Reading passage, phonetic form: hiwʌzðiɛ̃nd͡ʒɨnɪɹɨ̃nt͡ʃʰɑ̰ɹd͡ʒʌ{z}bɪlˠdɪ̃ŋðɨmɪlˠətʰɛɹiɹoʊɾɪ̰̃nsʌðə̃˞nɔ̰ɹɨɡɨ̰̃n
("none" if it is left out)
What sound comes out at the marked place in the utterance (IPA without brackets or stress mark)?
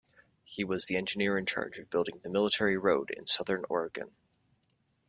v